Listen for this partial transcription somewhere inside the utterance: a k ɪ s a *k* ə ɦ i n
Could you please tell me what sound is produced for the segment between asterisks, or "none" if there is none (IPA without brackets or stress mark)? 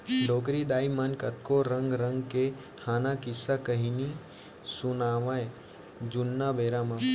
k